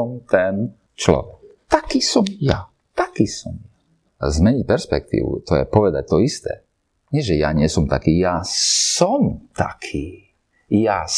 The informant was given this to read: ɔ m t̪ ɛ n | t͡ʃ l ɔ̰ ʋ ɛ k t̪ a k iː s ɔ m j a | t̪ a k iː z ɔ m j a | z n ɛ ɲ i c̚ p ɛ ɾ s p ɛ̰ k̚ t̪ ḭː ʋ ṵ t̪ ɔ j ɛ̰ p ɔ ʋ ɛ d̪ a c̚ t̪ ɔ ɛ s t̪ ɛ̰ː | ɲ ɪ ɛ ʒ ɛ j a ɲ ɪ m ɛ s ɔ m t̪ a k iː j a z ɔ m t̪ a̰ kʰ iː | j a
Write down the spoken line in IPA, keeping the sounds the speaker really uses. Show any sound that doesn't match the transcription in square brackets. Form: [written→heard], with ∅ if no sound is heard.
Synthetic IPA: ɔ m t̪ ɛ n | t͡ʃ l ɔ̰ ʋ ɛ k t̪ a k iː s ɔ m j a | t̪ a k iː [z→s] ɔ m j a | z [n→m] ɛ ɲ i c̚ p ɛ ɾ s p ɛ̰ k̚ t̪ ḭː ʋ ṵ t̪ ɔ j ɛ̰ p ɔ ʋ ɛ d̪ a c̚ t̪ ɔ [ɛ→i] s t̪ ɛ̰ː | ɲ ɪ ɛ ʒ ɛ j a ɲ ɪ [m→∅] ɛ s ɔ m t̪ a k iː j a [z→s] ɔ m t̪ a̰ kʰ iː | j a